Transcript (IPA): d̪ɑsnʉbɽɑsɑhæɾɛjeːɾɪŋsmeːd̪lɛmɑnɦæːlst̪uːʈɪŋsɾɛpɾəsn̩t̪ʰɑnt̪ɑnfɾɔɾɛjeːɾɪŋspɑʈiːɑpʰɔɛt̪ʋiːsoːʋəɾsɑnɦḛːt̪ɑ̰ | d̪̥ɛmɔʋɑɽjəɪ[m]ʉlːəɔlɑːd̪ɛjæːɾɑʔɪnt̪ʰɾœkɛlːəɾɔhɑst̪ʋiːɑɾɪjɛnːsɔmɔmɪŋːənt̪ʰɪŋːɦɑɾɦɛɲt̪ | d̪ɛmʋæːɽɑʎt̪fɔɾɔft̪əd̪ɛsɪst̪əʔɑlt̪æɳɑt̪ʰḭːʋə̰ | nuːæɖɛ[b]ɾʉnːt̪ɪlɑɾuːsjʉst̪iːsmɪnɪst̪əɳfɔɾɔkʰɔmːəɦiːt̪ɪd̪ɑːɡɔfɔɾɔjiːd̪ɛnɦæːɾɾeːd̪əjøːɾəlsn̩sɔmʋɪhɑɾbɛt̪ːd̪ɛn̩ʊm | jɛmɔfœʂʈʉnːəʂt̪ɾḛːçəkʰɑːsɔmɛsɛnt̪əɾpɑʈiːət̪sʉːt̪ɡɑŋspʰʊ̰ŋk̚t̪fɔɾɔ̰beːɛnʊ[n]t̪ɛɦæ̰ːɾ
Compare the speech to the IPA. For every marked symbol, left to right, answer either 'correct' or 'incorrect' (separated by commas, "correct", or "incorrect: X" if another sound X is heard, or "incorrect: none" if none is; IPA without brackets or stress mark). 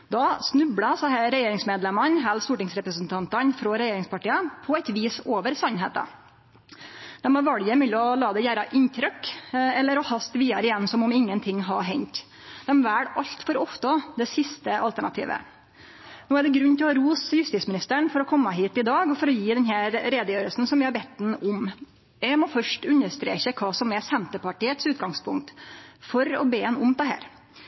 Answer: correct, incorrect: ɡ, incorrect: m